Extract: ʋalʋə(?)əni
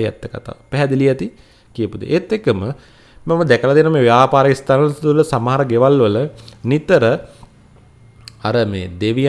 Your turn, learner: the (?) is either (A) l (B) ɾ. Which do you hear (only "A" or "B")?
A